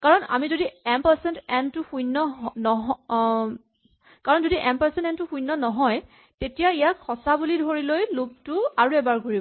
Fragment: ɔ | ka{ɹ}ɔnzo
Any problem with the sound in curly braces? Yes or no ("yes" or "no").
no